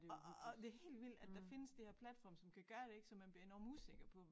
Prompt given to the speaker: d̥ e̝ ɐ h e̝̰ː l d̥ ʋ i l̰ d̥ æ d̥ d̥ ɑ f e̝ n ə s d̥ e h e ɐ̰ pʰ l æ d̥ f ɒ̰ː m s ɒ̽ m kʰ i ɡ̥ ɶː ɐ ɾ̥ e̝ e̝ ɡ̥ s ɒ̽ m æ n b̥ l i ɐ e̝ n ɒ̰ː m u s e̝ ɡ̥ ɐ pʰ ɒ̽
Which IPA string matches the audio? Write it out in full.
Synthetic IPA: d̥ e̝ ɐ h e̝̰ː l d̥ ʋ i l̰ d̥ æ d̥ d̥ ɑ f e̝ n ə s d̥ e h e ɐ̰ pʰ l æ d̥ f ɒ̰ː m s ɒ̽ m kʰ æ ɡ̥ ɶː ɐ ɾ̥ e̝ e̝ ɡ̥ s ɒ̽ m æ n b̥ l i ɐ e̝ n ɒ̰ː m u s e̝ ɡ̥ ɐ pʰ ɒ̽

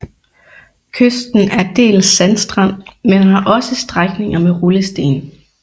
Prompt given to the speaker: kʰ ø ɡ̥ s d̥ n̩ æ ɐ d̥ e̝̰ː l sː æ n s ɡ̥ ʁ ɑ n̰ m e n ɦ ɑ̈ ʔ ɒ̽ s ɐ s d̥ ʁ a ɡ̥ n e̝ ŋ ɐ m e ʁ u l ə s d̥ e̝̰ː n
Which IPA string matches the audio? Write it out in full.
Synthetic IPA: kʰ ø s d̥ n̩ æ ɐ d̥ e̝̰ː l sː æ n s d̥ ʁ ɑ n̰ m e n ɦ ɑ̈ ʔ ɒ̽ s ə s d̥ ʁ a ɡ̥ n e̝ ŋ ɐ m e ʁ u l ə s d̥ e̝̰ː n

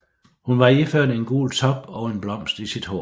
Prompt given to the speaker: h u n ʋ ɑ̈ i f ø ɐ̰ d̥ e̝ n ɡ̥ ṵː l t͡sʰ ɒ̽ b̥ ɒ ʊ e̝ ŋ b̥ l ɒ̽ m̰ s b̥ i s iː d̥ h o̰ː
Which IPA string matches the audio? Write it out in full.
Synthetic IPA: h u n ʋ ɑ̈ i f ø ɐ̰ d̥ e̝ n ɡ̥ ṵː l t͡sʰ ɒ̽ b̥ ɒ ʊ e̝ n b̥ l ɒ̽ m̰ s d̥ i s i d̥ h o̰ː

